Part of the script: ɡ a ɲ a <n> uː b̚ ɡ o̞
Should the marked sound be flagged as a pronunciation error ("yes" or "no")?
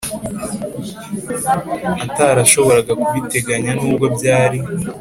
no